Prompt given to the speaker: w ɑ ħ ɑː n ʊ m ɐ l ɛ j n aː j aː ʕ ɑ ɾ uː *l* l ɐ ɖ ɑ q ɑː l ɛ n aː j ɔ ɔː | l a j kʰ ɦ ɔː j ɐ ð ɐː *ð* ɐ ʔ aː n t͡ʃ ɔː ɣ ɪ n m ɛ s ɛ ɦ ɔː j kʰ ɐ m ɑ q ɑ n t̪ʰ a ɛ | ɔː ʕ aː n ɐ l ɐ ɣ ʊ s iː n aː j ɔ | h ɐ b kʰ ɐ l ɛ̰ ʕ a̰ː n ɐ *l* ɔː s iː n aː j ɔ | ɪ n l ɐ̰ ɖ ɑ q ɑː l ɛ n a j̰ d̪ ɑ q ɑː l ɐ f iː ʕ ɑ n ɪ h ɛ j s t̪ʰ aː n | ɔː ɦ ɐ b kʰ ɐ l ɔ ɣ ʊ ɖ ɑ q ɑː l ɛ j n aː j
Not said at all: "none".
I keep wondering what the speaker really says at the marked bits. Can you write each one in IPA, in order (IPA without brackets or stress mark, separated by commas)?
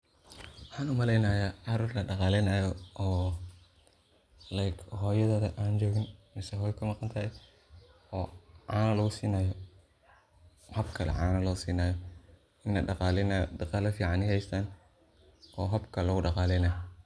r, ð, l